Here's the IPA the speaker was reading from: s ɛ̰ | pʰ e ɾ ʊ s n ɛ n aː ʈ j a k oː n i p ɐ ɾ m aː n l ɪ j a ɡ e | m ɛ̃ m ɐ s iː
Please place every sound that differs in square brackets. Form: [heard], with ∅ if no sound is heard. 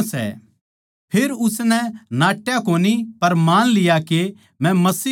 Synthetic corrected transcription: s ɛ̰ | pʰ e ɾ ʊ s n ɛ n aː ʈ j a k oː n i p ɐ ɾ m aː n l ɪ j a [k] e | m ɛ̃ m ɐ s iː